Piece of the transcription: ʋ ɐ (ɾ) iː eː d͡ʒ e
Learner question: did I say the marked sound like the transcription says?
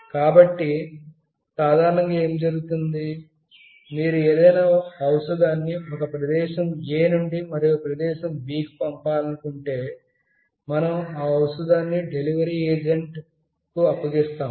yes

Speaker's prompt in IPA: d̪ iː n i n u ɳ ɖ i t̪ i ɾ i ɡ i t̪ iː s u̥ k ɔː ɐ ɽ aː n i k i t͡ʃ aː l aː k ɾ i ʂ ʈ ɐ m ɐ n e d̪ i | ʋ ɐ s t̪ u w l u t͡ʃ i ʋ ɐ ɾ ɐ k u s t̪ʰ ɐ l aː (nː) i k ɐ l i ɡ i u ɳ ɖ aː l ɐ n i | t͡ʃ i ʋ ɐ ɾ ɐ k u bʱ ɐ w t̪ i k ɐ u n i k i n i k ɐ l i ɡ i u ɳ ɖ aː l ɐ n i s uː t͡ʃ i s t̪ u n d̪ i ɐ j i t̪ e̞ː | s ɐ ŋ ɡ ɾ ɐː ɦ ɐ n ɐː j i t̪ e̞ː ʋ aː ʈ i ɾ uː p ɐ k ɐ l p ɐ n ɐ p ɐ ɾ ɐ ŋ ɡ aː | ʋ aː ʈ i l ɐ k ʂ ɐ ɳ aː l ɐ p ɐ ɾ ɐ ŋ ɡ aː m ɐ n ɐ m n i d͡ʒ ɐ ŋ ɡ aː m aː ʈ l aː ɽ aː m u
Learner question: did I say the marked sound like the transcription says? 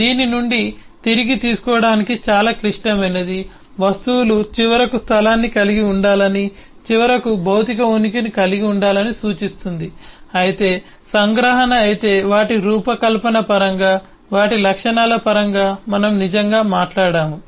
yes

